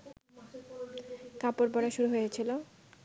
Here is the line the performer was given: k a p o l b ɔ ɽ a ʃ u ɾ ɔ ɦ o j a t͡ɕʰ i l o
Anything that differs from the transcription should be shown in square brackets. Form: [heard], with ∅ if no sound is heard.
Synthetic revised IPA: k a p o [ɾ] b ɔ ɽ a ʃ u ɾ [u] ɦ o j [e] t͡ɕʰ i l o